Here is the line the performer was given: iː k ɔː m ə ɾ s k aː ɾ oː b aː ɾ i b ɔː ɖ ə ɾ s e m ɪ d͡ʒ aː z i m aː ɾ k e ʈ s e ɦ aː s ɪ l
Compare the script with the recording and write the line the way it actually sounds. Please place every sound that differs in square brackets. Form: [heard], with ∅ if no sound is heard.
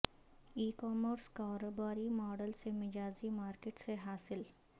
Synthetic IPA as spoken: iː k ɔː m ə ɾ s k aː ɾ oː b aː ɾ i [m] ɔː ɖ ə [l] s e m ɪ d͡ʒ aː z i m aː ɾ k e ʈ s e ɦ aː s ɪ l